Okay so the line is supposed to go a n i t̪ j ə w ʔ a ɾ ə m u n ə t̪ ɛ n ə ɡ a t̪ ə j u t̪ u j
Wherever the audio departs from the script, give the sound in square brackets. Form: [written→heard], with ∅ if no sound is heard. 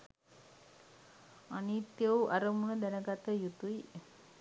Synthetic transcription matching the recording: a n i t̪ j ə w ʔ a ɾ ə m u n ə [t̪→d̪] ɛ n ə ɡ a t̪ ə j u t̪ u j